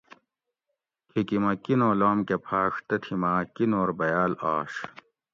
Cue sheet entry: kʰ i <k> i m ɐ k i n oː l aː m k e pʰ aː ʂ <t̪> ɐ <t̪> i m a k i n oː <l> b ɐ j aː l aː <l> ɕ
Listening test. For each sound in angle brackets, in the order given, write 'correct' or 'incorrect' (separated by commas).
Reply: correct, correct, incorrect, incorrect, incorrect